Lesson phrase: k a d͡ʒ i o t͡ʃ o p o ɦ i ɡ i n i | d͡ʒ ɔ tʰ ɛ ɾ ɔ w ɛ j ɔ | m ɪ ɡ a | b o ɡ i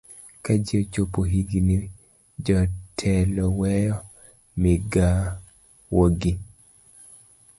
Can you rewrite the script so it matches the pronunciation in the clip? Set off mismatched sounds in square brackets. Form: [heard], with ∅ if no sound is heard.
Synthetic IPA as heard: k a d͡ʒ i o t͡ʃ o p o ɦ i ɡ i n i | d͡ʒ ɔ tʰ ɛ [l] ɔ w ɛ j ɔ | m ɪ ɡ a | [w] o ɡ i